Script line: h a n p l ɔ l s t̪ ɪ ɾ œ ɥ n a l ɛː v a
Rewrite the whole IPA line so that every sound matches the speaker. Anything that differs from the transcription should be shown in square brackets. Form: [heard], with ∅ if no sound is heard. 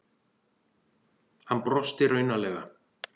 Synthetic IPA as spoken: h a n p [ɾ] ɔ [∅] s t̪ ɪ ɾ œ ɥ n a l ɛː [ɣ] a